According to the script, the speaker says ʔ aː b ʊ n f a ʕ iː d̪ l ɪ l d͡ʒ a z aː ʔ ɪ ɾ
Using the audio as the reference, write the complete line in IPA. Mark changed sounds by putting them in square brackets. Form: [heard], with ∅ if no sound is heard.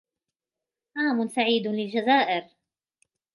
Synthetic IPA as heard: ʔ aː [m] ʊ n [s] a ʕ iː d̪ l ɪ l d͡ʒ a z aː ʔ ɪ ɾ